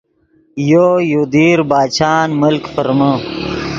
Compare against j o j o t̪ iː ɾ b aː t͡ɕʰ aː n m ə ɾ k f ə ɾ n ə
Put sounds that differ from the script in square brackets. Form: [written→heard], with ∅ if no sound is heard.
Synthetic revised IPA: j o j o [t̪→d̪] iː ɾ b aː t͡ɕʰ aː n m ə [ɾ→l] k f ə ɾ [n→m] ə